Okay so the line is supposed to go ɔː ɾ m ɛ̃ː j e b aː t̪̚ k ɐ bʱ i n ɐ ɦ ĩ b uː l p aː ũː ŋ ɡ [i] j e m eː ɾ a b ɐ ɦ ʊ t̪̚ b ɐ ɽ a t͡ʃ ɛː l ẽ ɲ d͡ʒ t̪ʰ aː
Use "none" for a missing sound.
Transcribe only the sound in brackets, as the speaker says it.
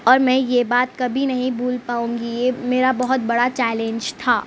i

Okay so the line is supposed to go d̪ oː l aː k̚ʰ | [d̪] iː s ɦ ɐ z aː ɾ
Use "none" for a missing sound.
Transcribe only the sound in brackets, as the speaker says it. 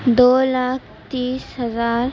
t̪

